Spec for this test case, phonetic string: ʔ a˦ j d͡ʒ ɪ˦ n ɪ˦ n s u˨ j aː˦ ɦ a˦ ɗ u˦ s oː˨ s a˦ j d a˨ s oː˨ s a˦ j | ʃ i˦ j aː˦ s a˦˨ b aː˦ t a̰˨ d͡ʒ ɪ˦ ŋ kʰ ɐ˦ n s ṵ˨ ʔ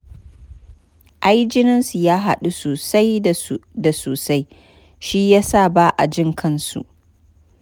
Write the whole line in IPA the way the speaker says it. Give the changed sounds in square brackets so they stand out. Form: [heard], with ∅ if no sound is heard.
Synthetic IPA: ʔ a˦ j d͡ʒ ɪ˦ n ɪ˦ n s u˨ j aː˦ ɦ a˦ ɗ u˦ s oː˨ s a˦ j d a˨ s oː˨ s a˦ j | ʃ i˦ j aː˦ s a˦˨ b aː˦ [ʔ] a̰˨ d͡ʒ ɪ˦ ŋ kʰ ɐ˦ n s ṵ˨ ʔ

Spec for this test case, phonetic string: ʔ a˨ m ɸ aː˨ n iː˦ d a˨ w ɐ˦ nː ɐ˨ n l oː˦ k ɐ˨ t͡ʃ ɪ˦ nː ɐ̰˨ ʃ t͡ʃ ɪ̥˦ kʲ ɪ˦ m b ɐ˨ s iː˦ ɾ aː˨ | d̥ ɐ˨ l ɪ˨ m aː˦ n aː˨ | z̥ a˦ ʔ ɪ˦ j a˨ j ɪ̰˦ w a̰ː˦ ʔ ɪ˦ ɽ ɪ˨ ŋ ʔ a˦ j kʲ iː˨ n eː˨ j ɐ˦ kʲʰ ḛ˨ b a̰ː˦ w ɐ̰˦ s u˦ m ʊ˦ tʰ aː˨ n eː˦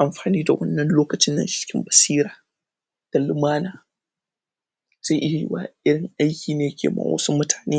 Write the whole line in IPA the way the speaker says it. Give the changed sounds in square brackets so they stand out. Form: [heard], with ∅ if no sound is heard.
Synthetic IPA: ʔ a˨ m ɸ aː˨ n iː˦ d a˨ w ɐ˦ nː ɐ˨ n l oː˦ k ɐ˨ t͡ʃ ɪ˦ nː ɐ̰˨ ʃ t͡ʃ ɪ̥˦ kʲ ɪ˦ m b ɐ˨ s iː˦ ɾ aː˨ | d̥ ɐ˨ l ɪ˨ m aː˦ n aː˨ | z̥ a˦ ʔ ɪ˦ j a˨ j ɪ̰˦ w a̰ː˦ ʔ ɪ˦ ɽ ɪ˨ ŋ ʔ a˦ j kʲ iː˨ n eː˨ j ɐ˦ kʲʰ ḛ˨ [m] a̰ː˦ w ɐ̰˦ s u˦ m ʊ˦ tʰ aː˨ n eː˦

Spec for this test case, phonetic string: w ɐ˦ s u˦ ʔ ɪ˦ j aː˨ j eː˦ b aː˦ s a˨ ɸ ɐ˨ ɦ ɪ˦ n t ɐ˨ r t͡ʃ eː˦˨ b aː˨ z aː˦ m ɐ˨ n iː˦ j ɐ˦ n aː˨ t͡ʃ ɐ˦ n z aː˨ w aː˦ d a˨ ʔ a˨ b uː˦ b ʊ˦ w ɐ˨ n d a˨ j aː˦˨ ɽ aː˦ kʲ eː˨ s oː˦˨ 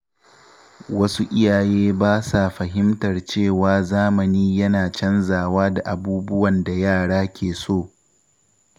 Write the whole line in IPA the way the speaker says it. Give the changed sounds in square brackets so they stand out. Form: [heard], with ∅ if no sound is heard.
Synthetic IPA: w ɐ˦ s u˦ ʔ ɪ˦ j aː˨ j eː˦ b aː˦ s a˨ ɸ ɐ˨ ɦ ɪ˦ [m] t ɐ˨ r t͡ʃ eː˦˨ [w] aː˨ z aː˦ m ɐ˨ n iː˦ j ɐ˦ n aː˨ t͡ʃ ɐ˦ n z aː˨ w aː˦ d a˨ ʔ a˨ b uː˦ b ʊ˦ w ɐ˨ n d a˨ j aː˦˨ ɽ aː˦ kʲ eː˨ s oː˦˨

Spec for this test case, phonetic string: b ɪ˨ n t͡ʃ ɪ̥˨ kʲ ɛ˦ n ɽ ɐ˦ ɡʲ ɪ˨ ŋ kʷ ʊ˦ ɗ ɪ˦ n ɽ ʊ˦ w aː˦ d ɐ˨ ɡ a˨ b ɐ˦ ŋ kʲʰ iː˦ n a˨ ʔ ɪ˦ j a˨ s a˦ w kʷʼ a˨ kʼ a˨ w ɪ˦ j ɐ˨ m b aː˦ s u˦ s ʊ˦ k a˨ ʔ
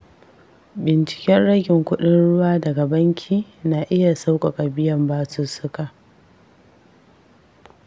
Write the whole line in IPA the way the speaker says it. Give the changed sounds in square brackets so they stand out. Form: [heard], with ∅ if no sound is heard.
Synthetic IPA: b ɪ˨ n t͡ʃ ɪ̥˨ kʲ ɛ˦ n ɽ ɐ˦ ɡʲ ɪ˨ ŋ kʷ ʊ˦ ɗ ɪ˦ n ɽ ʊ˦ w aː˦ d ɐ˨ ɡ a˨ b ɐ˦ ŋ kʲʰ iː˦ n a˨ ʔ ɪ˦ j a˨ s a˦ w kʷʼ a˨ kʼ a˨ [b] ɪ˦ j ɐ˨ m b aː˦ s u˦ s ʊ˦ k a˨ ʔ

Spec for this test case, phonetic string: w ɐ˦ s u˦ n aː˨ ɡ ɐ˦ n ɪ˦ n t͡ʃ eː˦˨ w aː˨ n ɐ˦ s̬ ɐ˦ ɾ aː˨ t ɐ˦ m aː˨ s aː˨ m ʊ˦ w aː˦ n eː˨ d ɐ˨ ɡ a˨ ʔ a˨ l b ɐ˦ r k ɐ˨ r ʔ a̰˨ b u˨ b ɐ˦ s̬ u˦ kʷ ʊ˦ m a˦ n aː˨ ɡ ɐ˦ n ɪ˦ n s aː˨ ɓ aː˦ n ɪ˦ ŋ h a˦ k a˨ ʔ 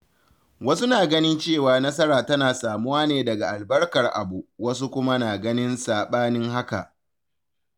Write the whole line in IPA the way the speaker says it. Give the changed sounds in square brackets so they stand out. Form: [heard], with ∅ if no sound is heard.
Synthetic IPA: w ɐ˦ s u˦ n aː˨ ɡ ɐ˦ n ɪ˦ n t͡ʃ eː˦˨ w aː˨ n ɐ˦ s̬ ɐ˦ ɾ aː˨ t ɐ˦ [n] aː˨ s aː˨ m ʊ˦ w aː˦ n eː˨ d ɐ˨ ɡ a˨ ʔ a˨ l b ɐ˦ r k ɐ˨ r ʔ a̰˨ b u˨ [w] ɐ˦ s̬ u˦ kʷ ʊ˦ m a˦ n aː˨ ɡ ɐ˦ n ɪ˦ n s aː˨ ɓ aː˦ n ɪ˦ ŋ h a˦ k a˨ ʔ

